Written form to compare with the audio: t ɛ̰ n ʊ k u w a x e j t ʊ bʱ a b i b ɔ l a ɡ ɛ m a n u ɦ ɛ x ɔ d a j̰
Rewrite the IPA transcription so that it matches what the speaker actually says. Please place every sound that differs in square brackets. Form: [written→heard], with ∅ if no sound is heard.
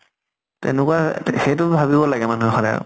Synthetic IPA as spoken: t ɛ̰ n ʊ k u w a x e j t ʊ bʱ a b i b ɔ l a ɡ ɛ m a n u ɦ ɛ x ɔ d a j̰